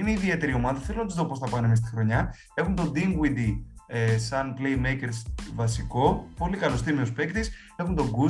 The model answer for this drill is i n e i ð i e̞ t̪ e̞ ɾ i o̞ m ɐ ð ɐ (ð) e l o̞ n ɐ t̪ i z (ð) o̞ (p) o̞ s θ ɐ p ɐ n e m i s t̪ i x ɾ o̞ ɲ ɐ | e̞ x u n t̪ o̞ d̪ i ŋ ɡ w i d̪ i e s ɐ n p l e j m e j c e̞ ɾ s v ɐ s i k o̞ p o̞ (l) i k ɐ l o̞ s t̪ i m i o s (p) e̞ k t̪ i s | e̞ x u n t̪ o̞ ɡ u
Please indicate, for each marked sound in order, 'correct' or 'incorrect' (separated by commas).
incorrect, correct, correct, correct, correct